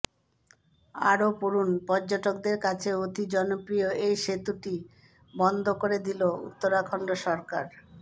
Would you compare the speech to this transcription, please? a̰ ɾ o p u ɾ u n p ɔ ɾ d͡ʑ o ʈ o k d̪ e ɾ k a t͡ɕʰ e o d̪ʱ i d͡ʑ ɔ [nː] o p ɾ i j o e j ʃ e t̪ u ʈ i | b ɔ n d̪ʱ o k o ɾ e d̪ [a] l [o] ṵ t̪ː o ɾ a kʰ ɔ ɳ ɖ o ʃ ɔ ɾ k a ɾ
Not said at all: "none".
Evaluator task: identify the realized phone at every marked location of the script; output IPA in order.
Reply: n, i, o

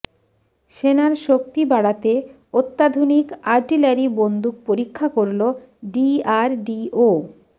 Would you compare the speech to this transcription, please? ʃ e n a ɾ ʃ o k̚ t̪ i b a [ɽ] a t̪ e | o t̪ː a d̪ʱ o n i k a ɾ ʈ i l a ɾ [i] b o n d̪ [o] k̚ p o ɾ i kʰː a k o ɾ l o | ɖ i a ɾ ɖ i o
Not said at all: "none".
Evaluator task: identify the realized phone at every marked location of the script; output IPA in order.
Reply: ɽ, i, u

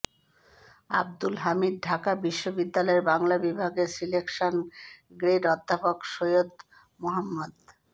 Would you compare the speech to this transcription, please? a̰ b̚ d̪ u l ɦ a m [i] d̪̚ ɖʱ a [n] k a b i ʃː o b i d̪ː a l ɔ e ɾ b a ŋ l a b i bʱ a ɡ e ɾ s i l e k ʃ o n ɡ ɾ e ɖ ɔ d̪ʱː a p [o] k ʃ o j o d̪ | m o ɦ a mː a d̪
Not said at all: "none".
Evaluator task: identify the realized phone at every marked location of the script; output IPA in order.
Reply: i, none, o

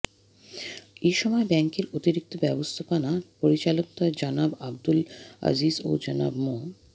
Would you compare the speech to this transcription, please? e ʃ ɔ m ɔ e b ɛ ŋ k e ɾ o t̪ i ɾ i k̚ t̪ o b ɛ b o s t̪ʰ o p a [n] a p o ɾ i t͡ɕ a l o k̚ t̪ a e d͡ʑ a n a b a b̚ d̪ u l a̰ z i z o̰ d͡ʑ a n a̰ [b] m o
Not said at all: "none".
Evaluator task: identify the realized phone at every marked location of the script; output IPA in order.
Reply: n, b

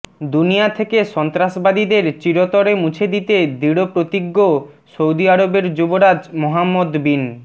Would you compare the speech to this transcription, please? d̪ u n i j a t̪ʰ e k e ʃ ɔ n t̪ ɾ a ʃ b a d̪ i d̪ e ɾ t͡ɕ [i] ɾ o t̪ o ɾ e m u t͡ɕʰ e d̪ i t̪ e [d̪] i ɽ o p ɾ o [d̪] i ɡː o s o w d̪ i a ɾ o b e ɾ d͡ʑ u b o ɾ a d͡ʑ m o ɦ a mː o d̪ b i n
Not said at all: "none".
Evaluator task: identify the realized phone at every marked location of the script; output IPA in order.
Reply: i, d̪, t̪

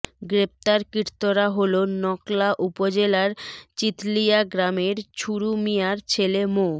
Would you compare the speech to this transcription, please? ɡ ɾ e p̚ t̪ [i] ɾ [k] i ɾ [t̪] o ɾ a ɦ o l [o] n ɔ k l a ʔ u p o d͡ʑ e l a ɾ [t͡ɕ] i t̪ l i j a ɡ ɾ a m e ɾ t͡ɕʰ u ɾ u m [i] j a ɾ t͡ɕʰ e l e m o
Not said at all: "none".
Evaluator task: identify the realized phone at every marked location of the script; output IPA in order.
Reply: a, k, t̪, o, t͡ɕ, i

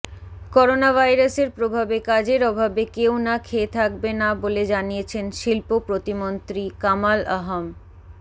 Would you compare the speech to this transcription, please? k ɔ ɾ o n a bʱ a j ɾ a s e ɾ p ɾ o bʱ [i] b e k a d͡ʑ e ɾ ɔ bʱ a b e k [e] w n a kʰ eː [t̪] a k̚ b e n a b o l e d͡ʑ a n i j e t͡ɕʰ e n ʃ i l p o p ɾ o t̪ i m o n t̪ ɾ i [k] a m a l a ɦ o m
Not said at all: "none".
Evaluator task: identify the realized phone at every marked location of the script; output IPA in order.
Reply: a, e, t̪ʰ, k

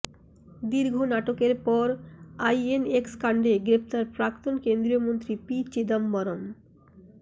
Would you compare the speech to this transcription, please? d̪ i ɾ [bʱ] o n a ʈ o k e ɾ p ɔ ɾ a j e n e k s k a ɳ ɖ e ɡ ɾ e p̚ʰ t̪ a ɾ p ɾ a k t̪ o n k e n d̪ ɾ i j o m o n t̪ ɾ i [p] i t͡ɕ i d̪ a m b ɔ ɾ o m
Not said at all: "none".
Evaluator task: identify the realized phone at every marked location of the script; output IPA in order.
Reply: ɡʱ, p

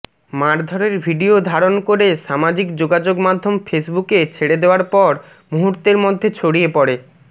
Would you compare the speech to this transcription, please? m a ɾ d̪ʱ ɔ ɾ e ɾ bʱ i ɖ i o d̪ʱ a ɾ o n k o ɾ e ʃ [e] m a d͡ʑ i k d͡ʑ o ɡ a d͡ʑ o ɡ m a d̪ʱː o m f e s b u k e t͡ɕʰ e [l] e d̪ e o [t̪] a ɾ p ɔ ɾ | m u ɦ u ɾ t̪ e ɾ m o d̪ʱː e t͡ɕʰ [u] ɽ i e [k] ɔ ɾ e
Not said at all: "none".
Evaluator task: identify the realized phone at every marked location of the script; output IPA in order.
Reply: a, ɽ, none, o, p

